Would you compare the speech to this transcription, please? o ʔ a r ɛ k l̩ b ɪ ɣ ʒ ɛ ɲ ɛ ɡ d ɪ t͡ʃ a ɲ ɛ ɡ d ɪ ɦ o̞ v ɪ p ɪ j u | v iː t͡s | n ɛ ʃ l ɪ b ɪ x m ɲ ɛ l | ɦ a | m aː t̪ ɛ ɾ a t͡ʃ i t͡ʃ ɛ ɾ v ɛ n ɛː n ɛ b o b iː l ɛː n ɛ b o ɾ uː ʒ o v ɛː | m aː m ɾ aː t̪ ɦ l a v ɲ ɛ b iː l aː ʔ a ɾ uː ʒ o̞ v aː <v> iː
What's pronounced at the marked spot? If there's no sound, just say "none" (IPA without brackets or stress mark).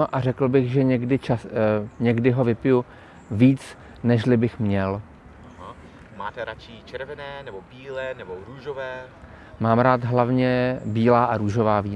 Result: v